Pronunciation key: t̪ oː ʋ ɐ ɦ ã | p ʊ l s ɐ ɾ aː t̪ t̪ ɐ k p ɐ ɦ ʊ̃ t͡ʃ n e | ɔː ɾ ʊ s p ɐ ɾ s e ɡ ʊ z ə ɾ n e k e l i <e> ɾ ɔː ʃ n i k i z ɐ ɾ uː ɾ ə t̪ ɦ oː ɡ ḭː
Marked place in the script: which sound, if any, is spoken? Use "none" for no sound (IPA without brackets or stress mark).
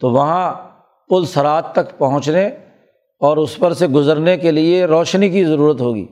e